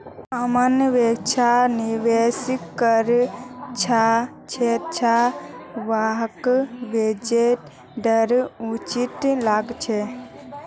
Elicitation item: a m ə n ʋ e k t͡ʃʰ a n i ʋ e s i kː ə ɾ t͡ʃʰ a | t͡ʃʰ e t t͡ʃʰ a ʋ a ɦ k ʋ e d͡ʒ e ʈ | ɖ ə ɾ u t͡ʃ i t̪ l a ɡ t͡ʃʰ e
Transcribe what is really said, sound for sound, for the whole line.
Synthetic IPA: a m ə n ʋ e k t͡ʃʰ a n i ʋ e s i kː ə ɾ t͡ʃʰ a | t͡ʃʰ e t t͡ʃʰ a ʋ a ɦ k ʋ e d͡ʒ e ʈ | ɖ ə ɾ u t͡ʃ i t̪ l a ɡ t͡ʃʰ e